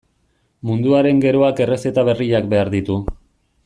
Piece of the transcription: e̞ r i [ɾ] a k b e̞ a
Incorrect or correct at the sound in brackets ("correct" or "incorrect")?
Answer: incorrect